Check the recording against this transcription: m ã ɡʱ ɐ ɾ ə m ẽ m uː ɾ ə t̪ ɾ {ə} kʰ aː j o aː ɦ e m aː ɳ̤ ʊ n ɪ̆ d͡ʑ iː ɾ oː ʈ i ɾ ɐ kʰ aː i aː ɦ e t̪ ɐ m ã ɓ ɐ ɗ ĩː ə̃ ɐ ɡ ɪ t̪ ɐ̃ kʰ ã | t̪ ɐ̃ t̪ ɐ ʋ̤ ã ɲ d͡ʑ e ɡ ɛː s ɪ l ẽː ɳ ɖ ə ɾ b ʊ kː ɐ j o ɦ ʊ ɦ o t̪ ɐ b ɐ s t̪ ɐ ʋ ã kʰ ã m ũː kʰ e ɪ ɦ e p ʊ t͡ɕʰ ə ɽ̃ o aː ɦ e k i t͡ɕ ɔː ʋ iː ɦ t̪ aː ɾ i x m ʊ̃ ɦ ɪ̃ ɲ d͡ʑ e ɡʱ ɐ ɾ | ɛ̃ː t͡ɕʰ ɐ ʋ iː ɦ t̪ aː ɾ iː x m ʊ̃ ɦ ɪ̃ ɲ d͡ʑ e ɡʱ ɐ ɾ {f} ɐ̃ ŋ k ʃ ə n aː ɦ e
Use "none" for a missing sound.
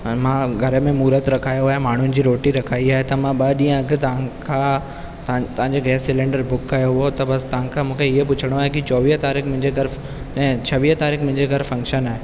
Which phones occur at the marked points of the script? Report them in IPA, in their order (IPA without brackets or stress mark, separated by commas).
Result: ɐ, f